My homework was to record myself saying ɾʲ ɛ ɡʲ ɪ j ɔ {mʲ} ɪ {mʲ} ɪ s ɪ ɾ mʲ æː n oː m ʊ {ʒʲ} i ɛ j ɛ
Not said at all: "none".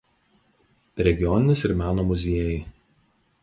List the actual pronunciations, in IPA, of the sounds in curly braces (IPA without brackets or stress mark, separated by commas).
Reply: nʲ, nʲ, zʲ